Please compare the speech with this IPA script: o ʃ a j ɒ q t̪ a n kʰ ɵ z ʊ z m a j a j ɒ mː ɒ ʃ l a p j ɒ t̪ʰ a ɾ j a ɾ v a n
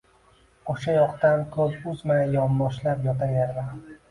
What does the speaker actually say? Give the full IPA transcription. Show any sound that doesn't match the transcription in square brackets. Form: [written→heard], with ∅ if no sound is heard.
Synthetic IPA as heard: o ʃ a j ɒ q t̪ a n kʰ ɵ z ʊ z m a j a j ɒ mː ɒ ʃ l a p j ɒ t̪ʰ a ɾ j a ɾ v a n